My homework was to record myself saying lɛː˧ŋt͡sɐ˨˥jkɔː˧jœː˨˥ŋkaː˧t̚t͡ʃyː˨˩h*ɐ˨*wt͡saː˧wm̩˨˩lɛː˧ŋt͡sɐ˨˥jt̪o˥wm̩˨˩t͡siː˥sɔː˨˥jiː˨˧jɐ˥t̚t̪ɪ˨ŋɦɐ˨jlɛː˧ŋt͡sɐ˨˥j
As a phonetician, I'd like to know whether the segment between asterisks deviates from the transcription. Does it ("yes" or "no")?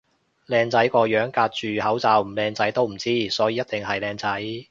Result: yes